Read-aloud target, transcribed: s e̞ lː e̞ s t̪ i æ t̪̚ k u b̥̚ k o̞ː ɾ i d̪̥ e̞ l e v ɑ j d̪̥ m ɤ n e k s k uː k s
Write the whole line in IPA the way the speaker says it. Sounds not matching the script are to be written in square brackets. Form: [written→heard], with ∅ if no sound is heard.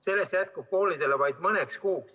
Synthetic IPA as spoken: s e̞ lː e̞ s t̪ [i→j] æ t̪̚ k u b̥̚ k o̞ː [ɾ→l] i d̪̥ e̞ l e v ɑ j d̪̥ m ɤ n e k s k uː k s